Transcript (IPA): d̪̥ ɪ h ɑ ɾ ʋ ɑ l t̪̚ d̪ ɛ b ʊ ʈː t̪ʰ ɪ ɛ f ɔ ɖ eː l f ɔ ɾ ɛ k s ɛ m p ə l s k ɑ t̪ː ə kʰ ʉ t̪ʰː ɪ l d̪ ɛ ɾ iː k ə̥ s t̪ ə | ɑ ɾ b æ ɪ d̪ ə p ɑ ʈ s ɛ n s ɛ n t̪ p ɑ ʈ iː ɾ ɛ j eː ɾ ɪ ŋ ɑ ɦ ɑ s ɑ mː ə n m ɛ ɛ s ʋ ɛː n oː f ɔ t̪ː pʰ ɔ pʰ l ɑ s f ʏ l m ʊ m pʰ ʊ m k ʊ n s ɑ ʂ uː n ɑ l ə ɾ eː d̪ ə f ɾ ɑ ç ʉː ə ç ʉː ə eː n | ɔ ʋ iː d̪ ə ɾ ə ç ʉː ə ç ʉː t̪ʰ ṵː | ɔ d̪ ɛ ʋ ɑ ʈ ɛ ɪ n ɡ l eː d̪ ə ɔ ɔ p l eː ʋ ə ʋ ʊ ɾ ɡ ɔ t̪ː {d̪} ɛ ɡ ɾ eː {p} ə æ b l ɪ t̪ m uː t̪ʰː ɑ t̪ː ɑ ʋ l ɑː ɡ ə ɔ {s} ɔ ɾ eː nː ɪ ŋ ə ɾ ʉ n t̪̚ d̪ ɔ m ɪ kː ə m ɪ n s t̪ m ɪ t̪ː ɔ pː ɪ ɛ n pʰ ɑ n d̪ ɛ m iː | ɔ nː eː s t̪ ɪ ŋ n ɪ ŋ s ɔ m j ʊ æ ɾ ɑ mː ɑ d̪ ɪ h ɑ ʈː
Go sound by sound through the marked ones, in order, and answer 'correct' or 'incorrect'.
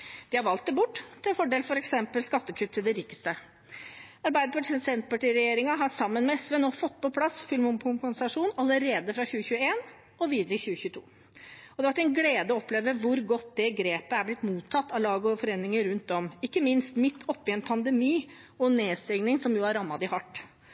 correct, correct, incorrect

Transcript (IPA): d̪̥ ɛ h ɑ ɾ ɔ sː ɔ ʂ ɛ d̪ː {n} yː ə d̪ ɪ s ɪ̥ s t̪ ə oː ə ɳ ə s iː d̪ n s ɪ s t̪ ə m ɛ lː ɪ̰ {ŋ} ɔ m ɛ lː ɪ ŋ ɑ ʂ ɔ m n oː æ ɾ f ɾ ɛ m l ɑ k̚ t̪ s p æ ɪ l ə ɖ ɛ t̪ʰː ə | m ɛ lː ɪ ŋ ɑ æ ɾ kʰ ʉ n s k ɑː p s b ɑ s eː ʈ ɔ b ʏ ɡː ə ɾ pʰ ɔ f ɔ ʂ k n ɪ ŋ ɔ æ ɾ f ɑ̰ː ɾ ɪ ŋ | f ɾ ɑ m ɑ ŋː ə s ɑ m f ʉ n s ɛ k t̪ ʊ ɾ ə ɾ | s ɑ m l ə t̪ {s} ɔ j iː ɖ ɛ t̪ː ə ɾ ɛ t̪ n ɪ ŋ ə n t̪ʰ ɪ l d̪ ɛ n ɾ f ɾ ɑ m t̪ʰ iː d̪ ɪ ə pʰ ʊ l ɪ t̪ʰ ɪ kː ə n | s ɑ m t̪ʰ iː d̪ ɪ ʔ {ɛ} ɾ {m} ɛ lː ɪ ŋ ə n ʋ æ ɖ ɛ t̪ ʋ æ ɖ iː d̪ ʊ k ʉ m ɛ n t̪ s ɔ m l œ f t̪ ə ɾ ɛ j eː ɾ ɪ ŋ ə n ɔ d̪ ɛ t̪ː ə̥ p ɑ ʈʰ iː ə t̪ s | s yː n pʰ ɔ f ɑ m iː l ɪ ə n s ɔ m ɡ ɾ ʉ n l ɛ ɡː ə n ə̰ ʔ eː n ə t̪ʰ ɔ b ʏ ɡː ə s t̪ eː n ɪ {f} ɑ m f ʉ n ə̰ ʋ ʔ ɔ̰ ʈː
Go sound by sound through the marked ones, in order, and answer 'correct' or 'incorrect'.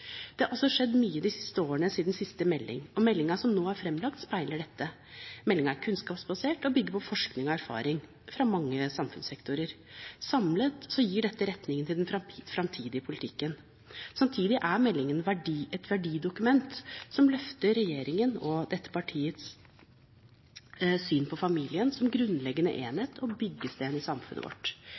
incorrect, correct, correct, incorrect, correct, incorrect

